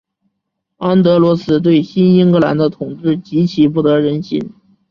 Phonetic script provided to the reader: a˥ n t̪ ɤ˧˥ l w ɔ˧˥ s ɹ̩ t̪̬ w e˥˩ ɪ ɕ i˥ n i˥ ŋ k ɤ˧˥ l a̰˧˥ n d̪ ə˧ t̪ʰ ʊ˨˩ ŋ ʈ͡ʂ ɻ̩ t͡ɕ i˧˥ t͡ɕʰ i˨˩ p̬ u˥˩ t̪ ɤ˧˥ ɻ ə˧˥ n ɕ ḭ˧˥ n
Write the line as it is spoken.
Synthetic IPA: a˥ n t̪ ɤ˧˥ l w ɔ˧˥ s ɹ̩ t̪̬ w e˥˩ ɪ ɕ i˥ n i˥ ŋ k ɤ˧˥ l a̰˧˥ n d̪ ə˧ t̪ʰ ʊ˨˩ ŋ ʈ͡ʂ ɻ̩ t͡ɕ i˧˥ t͡ɕʰ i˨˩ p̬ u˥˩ t̪ ɤ˧˥ ɻ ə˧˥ n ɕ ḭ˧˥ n